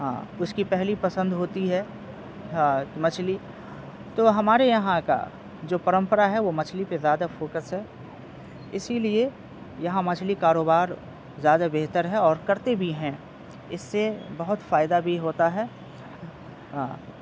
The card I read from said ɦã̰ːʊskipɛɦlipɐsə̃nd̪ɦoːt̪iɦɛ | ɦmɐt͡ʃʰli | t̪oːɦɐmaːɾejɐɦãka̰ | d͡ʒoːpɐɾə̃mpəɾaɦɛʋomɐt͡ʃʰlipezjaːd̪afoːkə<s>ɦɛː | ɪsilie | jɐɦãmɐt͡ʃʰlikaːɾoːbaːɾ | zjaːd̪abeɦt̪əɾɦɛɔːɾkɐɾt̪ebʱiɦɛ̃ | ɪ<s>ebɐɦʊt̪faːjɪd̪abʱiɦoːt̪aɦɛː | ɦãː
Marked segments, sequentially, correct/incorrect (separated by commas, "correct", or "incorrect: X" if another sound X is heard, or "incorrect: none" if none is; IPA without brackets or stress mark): correct, incorrect: sː